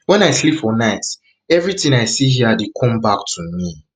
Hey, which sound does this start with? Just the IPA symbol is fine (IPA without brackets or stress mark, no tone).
w